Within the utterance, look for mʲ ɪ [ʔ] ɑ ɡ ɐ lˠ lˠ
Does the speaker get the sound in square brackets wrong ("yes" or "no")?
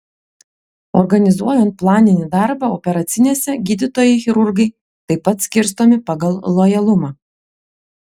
yes